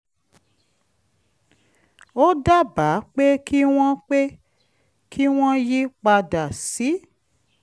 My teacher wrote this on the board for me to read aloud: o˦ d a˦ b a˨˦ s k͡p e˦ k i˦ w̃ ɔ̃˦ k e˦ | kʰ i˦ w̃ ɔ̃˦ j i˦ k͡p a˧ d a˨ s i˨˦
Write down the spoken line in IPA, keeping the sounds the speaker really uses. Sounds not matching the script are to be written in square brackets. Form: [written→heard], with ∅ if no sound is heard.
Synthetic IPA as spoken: o˦ d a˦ b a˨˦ [s→∅] k͡p e˦ k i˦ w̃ ɔ̃˦ [k→k͡p] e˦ | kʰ i˦ w̃ ɔ̃˦ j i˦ k͡p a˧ d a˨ s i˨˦